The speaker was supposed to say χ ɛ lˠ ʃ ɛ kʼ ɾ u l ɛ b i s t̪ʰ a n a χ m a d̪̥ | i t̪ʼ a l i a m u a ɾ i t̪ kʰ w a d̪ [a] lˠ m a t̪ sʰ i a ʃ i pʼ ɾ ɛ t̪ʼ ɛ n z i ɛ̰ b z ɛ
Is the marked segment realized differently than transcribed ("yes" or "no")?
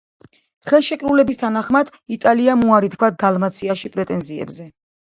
no